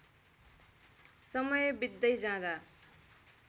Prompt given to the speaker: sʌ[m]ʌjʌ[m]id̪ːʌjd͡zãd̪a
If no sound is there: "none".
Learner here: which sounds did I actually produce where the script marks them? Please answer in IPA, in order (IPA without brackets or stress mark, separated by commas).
m, b